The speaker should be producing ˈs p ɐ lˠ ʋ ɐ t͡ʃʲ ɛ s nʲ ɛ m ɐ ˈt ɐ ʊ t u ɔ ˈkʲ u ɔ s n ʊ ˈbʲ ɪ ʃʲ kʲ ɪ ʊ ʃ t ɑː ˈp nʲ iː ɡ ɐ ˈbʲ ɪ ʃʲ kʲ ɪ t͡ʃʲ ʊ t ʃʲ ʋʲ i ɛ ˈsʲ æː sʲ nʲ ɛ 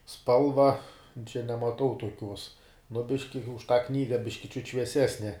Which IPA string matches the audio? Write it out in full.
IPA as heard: ˈs p ɐ lˠ ʋ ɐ t͡ʃʲ ɛ nʲ ɛ m ɐ ˈt ɐ ʊ t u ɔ ˈkʲ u ɔ s n ʊ ˈbʲ ɪ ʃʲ kʲ ɪ ʊ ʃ t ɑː ˈk nʲ iː ɡ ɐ ˈbʲ ɪ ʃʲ kʲ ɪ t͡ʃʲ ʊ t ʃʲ ʋʲ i ɛ ˈsʲ æː sʲ nʲ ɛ